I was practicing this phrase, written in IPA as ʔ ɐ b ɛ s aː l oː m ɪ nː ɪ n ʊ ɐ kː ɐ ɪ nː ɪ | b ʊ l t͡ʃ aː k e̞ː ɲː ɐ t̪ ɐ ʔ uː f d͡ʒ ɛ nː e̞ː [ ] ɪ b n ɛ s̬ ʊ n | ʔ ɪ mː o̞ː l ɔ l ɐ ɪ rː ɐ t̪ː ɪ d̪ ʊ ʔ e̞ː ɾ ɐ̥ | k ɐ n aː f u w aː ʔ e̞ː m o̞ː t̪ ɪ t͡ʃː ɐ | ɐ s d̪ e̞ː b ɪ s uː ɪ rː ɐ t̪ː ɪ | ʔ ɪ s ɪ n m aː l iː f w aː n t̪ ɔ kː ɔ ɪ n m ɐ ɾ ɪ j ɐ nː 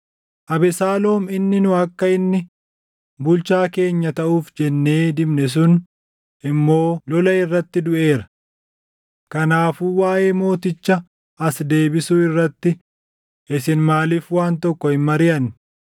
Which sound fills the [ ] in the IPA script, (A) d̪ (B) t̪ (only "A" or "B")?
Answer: A